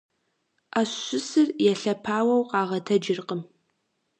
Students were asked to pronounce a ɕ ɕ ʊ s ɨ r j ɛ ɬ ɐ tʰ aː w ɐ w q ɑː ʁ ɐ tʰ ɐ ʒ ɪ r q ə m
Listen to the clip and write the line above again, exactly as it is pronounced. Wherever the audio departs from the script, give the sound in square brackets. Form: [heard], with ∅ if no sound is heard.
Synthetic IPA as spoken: a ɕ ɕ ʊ s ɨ r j ɛ ɬ ɐ [pʰ] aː w ɐ w q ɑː ʁ ɐ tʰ ɐ [d͡ʒ] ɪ r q ə m